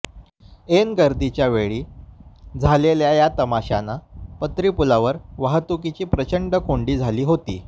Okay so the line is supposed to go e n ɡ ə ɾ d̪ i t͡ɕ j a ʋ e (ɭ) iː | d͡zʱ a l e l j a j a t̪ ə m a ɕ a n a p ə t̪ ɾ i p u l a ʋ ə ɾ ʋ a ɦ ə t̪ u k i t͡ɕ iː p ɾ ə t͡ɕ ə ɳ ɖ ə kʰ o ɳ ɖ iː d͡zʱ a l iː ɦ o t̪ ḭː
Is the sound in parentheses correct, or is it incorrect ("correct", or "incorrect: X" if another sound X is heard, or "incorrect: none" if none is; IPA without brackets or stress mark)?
correct